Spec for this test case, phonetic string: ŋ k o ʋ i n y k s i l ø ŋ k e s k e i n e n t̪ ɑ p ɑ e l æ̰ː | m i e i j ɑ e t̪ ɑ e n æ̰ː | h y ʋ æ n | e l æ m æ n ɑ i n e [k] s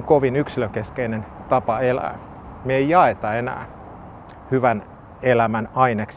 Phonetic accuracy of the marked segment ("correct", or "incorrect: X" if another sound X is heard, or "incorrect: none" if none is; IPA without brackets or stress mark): correct